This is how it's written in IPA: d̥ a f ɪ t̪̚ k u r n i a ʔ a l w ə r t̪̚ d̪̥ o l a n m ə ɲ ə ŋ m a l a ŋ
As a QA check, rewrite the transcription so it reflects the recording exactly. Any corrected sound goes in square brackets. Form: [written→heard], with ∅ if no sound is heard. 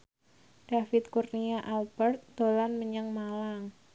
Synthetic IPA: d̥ a f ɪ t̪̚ k u r n i a ʔ a l [w→b] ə r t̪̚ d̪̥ o l a n m ə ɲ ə ŋ m a l a ŋ